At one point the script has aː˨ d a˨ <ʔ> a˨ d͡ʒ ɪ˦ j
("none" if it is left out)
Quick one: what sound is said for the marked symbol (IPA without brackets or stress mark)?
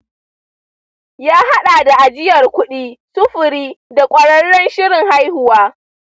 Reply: ʔ